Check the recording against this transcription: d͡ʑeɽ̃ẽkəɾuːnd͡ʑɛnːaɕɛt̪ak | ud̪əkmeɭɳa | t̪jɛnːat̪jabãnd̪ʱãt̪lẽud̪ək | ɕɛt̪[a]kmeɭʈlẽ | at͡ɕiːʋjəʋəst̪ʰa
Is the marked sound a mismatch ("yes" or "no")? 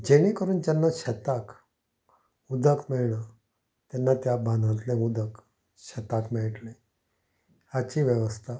no